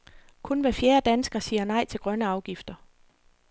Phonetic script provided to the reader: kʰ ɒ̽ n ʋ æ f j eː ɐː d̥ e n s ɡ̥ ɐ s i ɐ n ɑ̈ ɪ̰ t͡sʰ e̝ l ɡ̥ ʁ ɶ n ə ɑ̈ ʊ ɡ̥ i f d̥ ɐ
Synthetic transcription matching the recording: kʰ ɔ̽ n ʋ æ f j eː ɐ d̥ æ n s ɡ̥ ɐ s iː ɐ n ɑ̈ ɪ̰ t͡sʰ e̝ l ɡ̥ ʁ ɶ n ə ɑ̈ ʊ ɡ̥ i f d̥ ɐ